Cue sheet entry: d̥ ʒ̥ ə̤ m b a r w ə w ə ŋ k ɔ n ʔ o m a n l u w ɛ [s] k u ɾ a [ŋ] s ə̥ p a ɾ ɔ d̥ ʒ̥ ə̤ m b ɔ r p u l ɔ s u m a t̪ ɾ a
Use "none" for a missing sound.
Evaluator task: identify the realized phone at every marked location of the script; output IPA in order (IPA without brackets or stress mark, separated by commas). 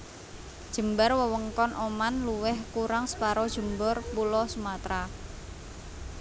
h, ŋ